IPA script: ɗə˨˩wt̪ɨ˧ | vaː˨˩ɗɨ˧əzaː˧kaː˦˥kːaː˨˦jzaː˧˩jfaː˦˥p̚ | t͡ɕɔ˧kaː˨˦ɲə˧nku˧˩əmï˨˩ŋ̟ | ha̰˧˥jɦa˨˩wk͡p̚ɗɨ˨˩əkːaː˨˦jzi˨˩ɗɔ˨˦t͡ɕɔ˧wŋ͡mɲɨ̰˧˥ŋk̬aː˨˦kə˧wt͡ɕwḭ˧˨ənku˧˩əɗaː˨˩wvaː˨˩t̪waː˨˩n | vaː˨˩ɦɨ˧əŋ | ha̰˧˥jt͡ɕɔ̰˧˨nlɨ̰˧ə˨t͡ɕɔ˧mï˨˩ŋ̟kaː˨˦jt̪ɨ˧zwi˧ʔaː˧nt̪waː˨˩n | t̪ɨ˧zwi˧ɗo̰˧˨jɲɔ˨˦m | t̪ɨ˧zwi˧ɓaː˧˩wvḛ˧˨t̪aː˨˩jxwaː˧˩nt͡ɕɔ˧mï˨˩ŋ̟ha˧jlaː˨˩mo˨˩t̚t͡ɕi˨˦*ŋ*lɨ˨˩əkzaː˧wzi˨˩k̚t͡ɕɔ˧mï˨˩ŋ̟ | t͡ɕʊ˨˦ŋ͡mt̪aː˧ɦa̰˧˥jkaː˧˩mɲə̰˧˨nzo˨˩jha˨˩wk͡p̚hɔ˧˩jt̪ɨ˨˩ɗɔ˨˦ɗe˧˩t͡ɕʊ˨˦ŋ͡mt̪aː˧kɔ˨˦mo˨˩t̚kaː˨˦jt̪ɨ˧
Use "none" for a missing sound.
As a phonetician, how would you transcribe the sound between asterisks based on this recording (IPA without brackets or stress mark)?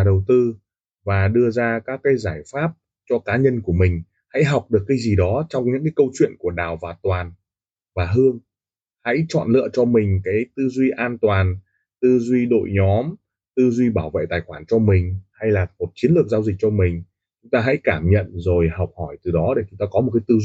n